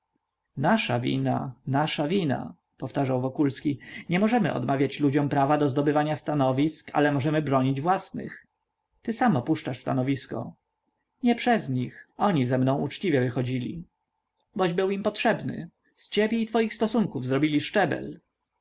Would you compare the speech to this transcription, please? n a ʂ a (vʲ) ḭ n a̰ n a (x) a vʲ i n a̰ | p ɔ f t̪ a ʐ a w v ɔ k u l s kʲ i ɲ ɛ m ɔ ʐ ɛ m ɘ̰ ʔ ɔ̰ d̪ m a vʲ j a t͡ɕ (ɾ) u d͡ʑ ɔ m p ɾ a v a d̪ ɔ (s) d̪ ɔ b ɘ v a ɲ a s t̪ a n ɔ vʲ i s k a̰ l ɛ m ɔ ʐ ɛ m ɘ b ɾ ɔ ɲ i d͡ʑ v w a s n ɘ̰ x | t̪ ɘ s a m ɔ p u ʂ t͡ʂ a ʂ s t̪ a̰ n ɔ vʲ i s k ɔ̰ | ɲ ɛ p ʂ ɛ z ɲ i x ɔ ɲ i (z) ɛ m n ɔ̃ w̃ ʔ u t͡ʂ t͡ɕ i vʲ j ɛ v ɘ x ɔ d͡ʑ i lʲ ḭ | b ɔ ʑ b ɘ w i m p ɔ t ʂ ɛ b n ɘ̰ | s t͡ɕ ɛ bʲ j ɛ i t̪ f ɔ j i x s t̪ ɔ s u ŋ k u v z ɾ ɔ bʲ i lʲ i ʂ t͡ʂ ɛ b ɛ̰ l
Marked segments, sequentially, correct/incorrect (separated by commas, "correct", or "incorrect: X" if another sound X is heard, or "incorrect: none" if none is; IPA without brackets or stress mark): correct, incorrect: ʂ, incorrect: l, incorrect: z, correct